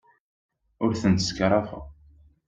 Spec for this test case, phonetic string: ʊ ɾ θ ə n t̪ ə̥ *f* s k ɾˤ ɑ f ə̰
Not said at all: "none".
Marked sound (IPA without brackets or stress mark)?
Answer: none